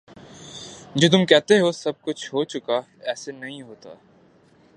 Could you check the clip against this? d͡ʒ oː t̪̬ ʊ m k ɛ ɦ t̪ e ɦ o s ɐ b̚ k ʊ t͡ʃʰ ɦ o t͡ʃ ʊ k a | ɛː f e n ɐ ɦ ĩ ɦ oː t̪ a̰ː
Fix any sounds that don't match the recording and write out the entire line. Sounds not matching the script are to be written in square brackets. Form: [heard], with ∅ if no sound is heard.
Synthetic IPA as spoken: d͡ʒ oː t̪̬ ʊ m k ɛ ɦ t̪ e ɦ o s ɐ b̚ k ʊ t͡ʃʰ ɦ o t͡ʃ ʊ k a | ɛː [s] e n ɐ ɦ ĩ ɦ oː t̪ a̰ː